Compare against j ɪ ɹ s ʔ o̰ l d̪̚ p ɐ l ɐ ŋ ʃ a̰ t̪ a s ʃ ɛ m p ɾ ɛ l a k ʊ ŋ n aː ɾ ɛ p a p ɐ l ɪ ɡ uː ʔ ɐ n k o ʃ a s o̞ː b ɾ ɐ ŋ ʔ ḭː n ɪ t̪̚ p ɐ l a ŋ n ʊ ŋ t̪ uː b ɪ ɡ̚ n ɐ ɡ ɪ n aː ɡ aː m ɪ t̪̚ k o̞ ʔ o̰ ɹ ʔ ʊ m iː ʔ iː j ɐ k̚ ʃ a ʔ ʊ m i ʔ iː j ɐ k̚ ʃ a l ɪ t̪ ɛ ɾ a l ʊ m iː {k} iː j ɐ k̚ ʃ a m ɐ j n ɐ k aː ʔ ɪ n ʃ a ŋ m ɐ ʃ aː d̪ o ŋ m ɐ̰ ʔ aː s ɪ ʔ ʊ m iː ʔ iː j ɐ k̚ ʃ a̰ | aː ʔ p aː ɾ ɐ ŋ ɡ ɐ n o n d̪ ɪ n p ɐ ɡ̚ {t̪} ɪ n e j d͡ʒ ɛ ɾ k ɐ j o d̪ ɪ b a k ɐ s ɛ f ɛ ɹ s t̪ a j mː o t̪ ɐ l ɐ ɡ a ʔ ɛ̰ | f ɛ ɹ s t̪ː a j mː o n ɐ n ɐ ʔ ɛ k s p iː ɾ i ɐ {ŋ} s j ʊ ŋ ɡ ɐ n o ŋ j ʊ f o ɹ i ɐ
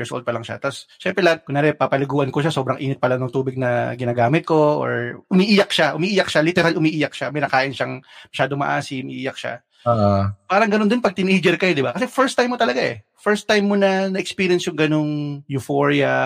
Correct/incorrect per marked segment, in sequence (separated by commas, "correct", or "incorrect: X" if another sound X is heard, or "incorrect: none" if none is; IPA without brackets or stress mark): incorrect: ʔ, correct, incorrect: n